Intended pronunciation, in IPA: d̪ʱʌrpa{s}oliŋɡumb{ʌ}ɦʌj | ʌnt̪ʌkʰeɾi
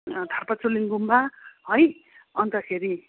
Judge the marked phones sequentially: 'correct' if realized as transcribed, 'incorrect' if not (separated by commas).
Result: incorrect, incorrect